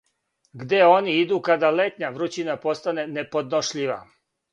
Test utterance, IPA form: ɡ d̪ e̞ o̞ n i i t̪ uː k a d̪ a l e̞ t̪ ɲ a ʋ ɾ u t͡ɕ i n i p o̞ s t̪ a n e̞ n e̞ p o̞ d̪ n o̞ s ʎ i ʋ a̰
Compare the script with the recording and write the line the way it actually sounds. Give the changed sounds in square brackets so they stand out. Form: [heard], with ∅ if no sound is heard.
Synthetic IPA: ɡ d̪ e̞ o̞ n i i [d̪] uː k a d̪ a l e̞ t̪ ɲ a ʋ ɾ u t͡ɕ i n [a] p o̞ s t̪ a n e̞ n e̞ p o̞ d̪ n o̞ [ʃ] ʎ i ʋ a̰